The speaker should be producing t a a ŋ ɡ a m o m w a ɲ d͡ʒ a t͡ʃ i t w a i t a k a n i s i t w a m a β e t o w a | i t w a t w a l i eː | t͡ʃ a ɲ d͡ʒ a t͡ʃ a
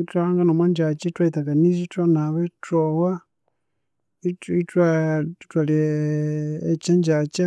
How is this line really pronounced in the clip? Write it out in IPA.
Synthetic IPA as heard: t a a ŋ ɡ a n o m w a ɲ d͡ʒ a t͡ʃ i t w a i t a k a n i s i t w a n a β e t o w a | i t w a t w a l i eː | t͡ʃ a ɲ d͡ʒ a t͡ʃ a